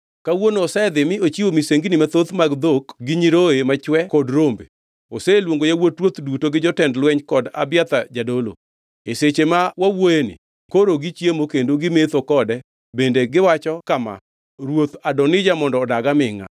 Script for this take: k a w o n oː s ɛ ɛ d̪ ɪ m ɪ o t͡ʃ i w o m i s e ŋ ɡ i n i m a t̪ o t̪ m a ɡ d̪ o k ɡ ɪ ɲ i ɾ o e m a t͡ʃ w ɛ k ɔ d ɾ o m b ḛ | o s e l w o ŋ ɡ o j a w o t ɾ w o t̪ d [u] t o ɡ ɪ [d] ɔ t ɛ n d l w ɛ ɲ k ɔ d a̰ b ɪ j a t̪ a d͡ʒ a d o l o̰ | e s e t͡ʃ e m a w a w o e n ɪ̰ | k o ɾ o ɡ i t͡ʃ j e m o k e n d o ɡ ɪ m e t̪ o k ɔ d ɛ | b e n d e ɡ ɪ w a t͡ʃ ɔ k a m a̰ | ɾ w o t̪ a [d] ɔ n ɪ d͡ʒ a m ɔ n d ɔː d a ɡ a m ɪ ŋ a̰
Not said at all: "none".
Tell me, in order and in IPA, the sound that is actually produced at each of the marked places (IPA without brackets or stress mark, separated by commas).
u, d͡ʒ, d